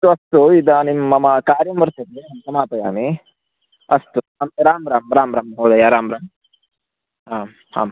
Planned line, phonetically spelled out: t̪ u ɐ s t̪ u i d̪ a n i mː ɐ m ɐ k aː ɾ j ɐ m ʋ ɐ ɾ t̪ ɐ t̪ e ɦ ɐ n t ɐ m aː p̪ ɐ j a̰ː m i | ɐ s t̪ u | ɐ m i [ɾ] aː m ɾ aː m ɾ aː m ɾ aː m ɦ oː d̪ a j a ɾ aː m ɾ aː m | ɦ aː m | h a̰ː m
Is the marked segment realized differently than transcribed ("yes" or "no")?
no